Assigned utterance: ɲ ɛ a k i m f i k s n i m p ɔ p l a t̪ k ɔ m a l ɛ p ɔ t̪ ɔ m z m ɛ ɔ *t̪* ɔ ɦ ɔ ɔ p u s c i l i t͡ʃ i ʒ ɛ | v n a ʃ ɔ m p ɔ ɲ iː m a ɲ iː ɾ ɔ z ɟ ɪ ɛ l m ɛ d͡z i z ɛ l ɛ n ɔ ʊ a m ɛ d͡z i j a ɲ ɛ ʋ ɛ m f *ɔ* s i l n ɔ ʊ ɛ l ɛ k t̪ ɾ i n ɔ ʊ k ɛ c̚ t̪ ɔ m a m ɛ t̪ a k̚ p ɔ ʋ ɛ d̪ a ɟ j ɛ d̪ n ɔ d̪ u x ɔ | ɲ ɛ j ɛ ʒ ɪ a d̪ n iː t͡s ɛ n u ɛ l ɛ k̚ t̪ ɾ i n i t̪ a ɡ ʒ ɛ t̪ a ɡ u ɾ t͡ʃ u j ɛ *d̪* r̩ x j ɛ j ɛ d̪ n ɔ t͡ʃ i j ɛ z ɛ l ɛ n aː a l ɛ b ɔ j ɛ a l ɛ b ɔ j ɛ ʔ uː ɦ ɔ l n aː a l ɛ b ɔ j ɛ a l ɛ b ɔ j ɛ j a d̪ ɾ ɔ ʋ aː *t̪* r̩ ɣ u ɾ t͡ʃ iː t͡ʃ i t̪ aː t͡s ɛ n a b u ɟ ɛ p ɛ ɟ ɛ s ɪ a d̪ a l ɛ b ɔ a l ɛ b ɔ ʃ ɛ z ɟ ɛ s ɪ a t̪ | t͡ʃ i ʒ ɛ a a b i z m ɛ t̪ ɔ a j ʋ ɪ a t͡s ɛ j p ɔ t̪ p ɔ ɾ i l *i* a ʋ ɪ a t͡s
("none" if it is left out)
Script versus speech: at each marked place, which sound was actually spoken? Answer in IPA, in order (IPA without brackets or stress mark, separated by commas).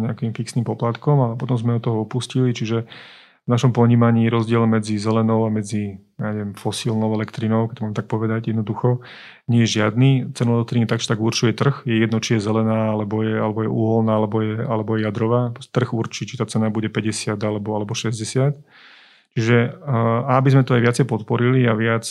t̪, ɔ, t̪, t̪, i